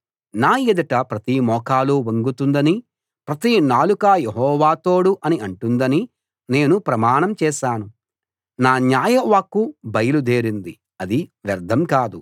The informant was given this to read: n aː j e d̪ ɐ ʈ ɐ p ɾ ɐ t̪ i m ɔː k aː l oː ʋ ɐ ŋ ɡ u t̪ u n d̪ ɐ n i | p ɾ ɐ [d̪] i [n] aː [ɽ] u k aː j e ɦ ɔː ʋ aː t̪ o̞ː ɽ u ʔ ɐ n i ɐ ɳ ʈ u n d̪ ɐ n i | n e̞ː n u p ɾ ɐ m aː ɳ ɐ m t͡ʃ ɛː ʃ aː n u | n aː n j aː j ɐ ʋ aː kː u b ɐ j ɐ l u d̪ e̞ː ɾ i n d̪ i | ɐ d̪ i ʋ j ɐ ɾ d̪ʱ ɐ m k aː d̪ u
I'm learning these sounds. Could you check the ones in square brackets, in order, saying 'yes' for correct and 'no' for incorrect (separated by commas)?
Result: no, yes, no